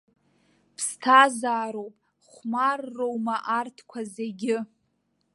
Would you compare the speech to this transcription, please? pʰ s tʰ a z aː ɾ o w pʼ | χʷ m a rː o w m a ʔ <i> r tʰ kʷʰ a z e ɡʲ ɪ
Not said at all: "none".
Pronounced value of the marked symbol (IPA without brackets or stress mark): a